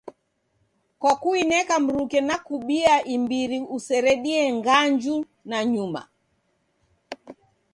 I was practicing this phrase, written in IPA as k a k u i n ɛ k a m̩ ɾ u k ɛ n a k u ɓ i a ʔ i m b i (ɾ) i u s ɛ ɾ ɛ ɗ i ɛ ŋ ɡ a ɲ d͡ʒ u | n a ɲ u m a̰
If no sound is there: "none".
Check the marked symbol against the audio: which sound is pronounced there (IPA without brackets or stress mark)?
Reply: ɾ